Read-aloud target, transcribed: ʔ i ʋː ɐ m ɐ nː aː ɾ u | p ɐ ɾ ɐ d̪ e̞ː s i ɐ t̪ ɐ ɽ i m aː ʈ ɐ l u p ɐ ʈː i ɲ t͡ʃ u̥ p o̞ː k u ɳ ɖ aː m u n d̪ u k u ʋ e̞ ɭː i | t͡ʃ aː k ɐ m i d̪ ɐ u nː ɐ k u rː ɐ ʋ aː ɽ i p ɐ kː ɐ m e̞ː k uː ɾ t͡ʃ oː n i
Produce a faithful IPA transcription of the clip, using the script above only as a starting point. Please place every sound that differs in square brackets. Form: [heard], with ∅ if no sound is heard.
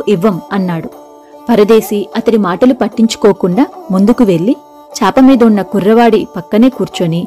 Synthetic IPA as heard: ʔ i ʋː ɐ m ɐ nː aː [ɽ] u | p ɐ ɾ ɐ d̪ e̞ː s i ɐ t̪ ɐ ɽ i m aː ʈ ɐ l u p ɐ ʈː i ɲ t͡ʃ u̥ [k] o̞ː k u ɳ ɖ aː m u n d̪ u k u ʋ e̞ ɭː i | t͡ʃ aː [p] ɐ m [iː] d̪ ɐ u nː ɐ k u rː ɐ ʋ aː ɽ i p ɐ kː ɐ [n] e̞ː k uː ɾ t͡ʃ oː n i